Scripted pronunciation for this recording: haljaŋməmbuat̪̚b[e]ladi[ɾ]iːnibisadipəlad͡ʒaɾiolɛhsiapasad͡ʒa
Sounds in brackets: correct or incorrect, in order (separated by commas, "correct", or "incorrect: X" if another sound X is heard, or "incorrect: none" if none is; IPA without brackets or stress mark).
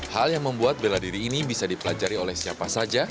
correct, correct